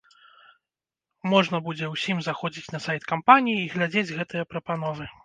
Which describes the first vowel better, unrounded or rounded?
rounded